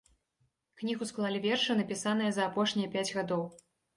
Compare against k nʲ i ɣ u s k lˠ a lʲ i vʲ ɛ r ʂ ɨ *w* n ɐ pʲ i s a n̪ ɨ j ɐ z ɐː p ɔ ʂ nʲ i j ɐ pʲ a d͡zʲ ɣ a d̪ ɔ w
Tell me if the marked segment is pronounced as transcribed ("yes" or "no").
no